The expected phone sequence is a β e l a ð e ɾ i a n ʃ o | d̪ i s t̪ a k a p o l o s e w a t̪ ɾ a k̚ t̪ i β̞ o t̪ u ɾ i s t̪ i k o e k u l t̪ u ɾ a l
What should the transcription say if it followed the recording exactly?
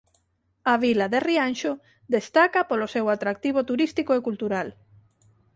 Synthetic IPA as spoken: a β i l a ð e r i a n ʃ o | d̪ e s t̪ a k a p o l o s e w a t̪ ɾ a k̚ t̪ i β̞ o t̪ u ɾ i s t̪ i k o e k u l t̪ u ɾ a l